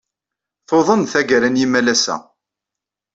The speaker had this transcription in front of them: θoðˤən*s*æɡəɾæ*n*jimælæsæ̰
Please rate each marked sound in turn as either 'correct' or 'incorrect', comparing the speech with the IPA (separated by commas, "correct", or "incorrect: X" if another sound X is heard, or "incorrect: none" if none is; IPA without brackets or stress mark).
incorrect: θ, correct